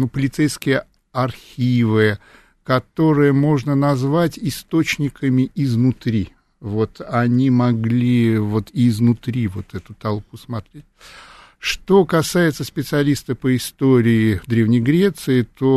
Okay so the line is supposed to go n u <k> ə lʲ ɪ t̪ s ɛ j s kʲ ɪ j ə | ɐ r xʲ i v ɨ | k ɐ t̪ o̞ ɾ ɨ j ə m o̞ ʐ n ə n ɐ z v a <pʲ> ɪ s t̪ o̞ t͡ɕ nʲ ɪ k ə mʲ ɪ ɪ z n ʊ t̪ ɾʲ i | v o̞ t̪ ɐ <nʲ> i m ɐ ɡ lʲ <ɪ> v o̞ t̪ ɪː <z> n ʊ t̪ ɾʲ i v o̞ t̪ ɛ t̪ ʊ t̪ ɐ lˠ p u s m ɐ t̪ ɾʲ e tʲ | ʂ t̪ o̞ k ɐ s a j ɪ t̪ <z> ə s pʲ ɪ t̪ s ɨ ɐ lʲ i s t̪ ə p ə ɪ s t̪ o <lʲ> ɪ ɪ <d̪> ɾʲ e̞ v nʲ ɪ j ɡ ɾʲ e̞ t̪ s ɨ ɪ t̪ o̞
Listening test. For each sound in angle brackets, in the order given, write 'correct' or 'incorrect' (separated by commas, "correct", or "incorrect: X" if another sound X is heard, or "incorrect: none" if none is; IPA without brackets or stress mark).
incorrect: p, incorrect: tʲ, correct, incorrect: i, correct, incorrect: s, incorrect: ɾʲ, correct